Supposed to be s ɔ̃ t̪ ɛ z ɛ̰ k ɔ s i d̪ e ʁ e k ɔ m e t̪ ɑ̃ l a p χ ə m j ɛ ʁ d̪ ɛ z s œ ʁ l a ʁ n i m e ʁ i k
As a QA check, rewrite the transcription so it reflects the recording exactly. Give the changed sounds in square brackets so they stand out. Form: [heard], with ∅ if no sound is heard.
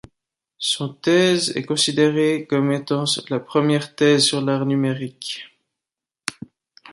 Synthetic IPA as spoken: s ɔ̃ t̪ ɛ z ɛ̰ k [ɔ̃] s i d̪ e ʁ e k ɔ m e t̪ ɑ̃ l a p χ ə m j ɛ ʁ [t̪] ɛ z s [y] ʁ l a ʁ n [y] m e ʁ i k